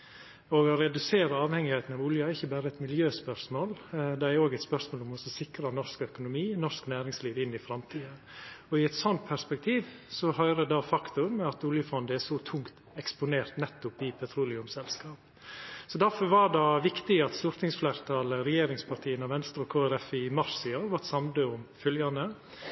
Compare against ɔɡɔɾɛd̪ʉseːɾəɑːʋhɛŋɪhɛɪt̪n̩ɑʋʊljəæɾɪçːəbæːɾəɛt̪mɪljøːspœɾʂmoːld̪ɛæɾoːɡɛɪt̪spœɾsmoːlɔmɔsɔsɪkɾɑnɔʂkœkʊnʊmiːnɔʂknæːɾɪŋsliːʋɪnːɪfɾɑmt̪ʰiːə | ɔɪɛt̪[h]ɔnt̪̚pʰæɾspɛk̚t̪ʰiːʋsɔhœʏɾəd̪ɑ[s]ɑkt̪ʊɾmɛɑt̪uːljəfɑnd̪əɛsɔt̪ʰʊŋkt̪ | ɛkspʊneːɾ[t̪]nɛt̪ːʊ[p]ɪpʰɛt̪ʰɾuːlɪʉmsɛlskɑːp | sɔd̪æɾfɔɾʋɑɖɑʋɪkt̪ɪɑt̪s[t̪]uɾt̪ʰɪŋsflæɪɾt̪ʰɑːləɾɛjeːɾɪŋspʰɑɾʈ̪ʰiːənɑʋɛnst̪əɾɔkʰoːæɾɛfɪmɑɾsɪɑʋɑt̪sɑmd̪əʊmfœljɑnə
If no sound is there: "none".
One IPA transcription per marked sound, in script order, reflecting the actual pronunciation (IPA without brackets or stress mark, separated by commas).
s, f, t̪, p, t̪